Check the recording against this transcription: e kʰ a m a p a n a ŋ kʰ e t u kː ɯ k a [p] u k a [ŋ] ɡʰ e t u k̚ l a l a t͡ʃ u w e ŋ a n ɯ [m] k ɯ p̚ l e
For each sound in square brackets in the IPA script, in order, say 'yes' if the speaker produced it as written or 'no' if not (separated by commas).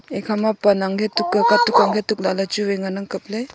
no, yes, no